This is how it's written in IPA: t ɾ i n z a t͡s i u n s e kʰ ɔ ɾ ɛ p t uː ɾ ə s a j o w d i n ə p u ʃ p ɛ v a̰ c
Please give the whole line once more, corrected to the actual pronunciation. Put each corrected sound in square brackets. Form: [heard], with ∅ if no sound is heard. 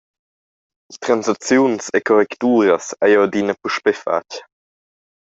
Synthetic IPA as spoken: t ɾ [a] n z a t͡s [j] u n s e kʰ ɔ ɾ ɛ [k] t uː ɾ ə s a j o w d i n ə p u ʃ p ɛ [f] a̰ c